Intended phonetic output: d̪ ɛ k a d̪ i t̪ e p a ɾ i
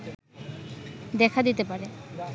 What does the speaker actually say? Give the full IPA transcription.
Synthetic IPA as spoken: d̪ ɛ kʰ a d̪ i t̪ e p a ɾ e